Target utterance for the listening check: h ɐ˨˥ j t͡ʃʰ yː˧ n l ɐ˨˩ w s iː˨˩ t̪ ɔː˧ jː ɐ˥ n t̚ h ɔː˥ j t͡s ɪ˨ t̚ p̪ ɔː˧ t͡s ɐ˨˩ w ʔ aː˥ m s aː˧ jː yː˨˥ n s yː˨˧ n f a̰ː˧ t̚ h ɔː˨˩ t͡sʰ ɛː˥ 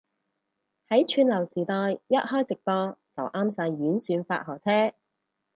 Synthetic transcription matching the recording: h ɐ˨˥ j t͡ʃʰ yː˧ n l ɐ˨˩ w s iː˨˩ t̪ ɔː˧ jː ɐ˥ t̚ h ɔː˥ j t͡s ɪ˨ k̚ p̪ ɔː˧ t͡s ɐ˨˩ w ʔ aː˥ m s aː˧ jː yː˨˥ n s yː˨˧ n f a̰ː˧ t̚ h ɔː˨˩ t͡sʰ ɛː˥